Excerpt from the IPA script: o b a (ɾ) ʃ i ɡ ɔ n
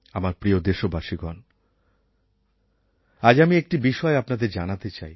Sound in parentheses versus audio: incorrect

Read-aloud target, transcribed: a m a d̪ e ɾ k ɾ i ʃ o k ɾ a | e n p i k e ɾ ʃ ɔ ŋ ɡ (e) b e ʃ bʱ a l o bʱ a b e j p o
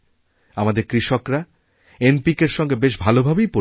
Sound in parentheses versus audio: correct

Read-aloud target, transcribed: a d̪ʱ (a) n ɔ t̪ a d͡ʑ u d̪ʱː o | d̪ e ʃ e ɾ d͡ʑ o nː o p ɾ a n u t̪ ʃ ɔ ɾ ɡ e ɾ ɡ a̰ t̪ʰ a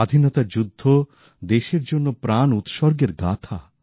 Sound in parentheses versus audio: incorrect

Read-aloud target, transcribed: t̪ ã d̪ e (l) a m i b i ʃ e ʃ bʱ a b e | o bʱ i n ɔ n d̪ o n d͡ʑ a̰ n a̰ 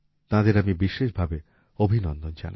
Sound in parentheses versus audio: incorrect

